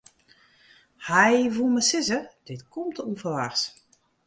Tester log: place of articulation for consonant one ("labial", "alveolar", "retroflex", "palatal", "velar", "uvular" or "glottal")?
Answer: glottal